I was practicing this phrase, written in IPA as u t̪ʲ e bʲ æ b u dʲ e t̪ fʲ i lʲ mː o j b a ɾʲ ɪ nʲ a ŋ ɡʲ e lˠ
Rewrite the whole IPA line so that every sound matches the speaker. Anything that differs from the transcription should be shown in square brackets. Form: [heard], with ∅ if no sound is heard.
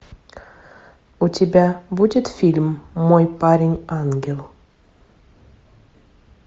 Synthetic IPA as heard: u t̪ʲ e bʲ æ b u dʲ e t̪ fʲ i lʲ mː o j [p] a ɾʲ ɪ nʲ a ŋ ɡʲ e lˠ